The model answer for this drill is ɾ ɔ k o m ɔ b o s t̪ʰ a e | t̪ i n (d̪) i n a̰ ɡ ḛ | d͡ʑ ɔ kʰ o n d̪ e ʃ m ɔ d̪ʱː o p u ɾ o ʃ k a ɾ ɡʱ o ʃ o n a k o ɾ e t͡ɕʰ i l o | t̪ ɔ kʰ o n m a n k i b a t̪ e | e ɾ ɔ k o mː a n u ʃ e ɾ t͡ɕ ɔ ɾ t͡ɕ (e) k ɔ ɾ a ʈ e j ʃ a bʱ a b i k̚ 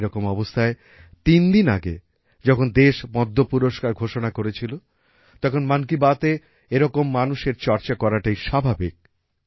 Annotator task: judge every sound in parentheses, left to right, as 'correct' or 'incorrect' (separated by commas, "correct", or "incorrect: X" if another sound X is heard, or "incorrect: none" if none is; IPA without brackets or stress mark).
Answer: correct, incorrect: a